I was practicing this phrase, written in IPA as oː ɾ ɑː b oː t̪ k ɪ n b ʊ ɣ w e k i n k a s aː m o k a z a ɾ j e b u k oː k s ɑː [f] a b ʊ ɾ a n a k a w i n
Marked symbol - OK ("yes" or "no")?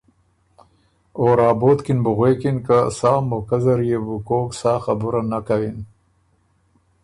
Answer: no